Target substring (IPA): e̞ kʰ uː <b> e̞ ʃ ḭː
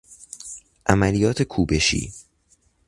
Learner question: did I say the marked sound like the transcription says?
yes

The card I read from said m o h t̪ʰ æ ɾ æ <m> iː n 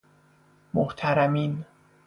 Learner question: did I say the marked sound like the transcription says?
yes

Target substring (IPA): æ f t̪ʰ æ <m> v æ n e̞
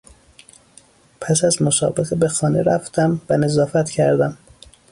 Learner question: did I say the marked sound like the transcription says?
yes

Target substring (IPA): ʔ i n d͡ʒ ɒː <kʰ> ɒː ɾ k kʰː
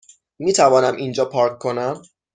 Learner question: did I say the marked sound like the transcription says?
no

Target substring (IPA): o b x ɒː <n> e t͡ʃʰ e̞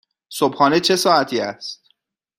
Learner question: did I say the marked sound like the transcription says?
yes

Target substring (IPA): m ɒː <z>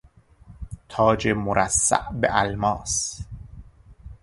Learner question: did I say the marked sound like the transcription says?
no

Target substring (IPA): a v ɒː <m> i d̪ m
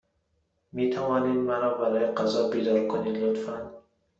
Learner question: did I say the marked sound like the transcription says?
no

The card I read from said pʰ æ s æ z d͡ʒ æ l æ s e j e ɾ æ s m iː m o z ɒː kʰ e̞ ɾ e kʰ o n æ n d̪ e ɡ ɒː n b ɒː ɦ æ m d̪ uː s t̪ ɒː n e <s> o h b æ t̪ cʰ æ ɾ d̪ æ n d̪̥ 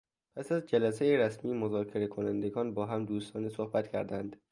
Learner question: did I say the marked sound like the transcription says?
yes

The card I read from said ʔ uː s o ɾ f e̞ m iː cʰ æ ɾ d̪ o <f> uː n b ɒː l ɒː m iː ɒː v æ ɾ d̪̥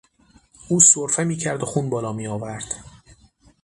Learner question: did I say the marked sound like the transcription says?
no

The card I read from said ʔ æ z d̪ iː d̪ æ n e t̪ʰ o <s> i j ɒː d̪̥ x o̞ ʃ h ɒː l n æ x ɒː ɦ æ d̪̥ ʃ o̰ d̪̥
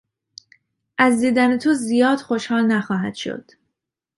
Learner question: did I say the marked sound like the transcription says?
no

